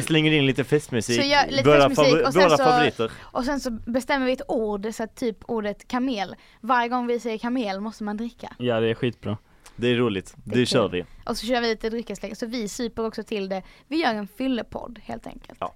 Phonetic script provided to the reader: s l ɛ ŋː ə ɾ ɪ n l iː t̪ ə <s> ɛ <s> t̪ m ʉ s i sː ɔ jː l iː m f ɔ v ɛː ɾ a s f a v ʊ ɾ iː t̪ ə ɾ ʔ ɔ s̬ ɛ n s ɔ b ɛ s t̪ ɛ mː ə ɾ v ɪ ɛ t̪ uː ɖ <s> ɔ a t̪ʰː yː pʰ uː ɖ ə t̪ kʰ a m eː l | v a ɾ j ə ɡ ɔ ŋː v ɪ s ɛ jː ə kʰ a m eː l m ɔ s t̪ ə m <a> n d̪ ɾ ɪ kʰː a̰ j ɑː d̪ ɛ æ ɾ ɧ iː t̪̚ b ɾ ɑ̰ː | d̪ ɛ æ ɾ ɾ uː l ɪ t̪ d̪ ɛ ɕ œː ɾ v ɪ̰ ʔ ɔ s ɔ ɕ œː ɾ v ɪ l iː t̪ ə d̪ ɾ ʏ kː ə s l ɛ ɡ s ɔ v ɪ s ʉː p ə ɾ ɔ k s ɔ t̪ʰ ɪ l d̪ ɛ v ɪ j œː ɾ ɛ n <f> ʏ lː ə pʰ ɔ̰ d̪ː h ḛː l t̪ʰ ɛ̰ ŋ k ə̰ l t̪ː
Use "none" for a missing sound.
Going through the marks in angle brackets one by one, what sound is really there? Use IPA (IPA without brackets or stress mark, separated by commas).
f, s, s, a, f